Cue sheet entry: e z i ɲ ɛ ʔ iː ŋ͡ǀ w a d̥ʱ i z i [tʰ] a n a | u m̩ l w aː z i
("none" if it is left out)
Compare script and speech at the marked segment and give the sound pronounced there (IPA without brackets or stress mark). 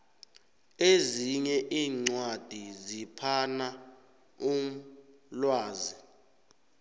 pʰ